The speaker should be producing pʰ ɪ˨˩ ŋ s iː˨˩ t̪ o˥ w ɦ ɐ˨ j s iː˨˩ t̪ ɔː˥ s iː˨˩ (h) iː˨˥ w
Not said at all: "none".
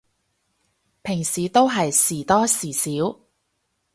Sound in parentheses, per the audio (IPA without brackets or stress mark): s